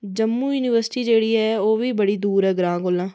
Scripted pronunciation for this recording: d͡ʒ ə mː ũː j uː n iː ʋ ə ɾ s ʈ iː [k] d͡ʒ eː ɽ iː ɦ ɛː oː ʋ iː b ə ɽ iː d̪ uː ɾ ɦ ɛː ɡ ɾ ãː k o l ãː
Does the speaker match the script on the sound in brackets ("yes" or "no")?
no